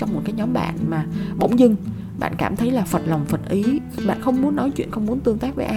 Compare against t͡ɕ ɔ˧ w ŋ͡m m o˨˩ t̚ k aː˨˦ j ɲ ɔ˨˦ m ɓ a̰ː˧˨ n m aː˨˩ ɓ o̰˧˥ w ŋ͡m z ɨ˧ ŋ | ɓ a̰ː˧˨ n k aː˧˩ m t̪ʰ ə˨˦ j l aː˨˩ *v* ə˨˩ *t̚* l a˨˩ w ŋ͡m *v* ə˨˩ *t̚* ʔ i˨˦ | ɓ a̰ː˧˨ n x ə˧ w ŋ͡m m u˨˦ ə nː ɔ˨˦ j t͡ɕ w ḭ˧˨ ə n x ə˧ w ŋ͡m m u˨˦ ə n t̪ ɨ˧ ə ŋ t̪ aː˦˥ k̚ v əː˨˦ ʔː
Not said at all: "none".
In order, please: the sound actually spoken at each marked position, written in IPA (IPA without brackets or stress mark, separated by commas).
f, t̚, f, t̚